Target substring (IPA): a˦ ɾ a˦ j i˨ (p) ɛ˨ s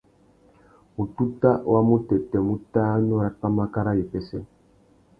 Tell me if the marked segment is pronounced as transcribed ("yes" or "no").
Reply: yes